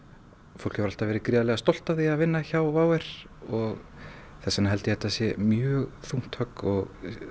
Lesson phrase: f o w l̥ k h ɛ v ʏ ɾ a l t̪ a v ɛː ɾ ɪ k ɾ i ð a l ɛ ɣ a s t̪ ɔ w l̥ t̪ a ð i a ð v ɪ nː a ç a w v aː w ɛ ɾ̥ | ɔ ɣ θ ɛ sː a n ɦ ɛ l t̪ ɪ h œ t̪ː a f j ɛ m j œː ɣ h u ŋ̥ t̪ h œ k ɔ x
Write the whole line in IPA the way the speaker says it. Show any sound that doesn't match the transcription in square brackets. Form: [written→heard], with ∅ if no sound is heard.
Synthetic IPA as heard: f o w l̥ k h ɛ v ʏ ɾ a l t̪ a v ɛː ɾ ɪ k ɾ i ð a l ɛ ɣ a s t̪ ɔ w l̥ t̪ a ð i a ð v ɪ nː a ç a w v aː w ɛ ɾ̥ | ɔ ɣ θ ɛ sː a n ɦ ɛ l t̪ ɪ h [œ→ɛ] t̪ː a [f→s] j ɛ m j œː ɣ [h→θ] u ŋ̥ t̪ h œ k ɔ [x→ɣ]